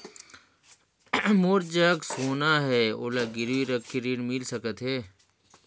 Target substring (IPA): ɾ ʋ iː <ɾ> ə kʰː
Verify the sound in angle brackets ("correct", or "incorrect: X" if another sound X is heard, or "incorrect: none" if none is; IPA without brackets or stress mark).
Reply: correct